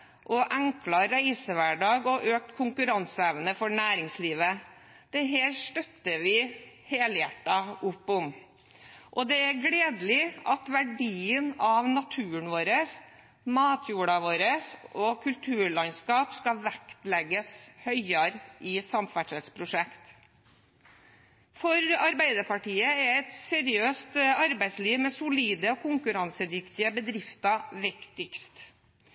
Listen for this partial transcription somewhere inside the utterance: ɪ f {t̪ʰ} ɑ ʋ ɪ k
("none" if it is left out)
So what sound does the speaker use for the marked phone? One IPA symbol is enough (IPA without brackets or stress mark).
t̪